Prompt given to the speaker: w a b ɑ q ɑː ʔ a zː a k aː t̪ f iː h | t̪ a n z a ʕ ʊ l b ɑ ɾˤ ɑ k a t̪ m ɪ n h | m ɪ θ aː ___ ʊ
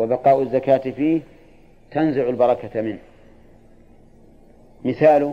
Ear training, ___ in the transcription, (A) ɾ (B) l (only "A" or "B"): B